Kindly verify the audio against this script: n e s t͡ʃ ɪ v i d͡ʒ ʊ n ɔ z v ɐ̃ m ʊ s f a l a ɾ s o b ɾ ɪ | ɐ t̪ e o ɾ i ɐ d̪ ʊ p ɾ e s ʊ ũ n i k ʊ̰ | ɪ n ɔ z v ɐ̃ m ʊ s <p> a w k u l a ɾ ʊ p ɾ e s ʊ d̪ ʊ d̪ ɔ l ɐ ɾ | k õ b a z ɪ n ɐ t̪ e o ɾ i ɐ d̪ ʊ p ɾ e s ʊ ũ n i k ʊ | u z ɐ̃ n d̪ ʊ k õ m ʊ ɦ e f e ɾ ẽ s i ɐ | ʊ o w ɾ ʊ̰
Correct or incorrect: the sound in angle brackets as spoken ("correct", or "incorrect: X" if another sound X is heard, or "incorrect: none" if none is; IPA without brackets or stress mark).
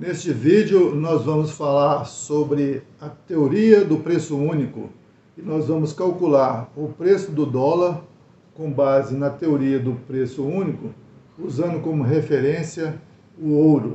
incorrect: k